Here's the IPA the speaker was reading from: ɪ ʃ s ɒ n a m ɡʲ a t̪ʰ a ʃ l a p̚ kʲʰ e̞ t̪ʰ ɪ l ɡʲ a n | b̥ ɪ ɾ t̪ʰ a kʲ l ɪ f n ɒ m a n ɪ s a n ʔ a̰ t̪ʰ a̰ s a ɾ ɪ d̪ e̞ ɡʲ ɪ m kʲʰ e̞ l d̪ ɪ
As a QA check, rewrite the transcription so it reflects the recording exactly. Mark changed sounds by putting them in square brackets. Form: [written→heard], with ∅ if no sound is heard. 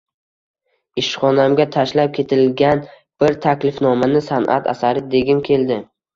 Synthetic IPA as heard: ɪ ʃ [s→χ] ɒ n a m ɡʲ a t̪ʰ a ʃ l a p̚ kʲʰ e̞ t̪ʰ ɪ l ɡʲ a n | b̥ ɪ ɾ t̪ʰ a kʲ l ɪ f n ɒ m a n ɪ s a n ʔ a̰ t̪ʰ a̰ s a ɾ ɪ d̪ e̞ ɡʲ ɪ m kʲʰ e̞ l d̪ ɪ

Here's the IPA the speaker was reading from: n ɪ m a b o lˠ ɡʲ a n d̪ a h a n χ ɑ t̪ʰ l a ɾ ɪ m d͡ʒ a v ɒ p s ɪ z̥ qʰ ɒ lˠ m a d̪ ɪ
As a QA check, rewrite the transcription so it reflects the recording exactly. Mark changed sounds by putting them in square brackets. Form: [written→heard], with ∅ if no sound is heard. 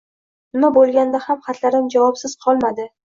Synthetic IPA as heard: n ɪ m a b o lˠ ɡʲ a n d̪ a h a [n→m] χ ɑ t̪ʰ l a ɾ ɪ m d͡ʒ a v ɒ p s ɪ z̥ qʰ ɒ lˠ m a d̪ ɪ

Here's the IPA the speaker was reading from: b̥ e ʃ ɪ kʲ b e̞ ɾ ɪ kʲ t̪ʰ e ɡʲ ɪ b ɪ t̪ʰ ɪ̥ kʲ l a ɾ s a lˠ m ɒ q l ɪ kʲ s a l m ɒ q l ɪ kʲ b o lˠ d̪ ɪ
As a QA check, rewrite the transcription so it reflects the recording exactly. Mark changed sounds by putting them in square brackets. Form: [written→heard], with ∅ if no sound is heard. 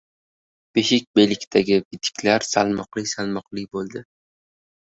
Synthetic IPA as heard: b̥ e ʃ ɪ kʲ b e̞ [ɾ→l] ɪ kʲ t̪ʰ [e→a] ɡʲ ɪ b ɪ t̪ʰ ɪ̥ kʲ l a ɾ s a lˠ m ɒ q l ɪ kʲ s a l m ɒ q l ɪ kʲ b o lˠ d̪ ɪ

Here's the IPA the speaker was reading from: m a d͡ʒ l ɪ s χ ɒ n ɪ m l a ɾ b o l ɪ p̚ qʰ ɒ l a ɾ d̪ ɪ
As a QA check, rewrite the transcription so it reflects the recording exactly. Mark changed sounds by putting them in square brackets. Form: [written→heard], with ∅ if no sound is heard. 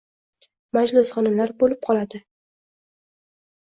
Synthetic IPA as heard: m a d͡ʒ l ɪ s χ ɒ n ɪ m l a ɾ b o l ɪ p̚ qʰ ɒ l a [ɾ→∅] d̪ ɪ

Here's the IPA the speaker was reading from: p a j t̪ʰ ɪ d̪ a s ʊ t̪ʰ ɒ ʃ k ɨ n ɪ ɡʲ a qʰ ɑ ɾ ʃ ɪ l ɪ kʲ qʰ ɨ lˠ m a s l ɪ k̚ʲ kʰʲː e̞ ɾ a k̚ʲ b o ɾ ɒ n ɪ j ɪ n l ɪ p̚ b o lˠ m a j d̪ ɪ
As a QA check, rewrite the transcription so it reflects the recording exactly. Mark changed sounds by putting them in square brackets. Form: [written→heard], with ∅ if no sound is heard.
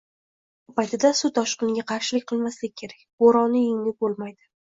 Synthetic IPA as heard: p a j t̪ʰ ɪ d̪ a s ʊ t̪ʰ ɒ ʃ [k→q] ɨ n ɪ ɡʲ a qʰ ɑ ɾ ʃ ɪ l ɪ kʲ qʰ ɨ lˠ m a s l ɪ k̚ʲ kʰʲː e̞ ɾ a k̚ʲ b o ɾ ɒ n ɪ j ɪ [n→ŋ] l ɪ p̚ b o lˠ m a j d̪ ɪ

